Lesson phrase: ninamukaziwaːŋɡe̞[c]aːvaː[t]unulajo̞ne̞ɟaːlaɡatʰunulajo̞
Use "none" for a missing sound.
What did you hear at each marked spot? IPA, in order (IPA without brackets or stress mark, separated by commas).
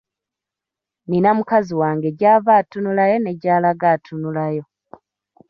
ɟ, t